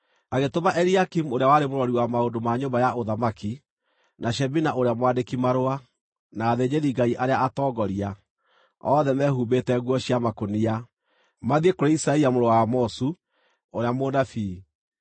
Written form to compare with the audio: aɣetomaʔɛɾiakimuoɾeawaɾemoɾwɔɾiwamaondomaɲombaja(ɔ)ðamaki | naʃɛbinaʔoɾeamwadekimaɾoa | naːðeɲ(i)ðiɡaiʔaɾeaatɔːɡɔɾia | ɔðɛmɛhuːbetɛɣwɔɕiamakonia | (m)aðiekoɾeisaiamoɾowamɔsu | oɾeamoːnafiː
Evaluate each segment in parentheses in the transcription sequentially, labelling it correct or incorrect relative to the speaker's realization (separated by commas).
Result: incorrect, incorrect, correct